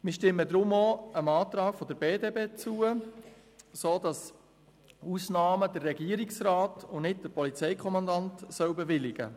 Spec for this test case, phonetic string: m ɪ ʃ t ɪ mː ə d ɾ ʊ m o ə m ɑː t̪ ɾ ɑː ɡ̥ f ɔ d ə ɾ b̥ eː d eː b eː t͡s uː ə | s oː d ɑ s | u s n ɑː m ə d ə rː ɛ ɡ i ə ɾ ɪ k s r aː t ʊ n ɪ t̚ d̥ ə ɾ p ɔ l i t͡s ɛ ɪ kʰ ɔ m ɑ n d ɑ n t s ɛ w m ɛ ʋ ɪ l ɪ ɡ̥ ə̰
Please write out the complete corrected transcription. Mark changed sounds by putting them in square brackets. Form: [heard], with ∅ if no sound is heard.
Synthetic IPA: m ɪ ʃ t ɪ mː ə d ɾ ʊ m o ə m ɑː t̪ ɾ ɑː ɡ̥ f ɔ d ə ɾ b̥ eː d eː b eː t͡s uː ə | s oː d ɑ s | u s n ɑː m ə d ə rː ɛ ɡ i ə ɾ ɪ k s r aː t ʊ n ɪ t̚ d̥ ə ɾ p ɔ l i t͡s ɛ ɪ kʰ ɔ m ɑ n d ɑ n t s [œ] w [b] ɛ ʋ ɪ l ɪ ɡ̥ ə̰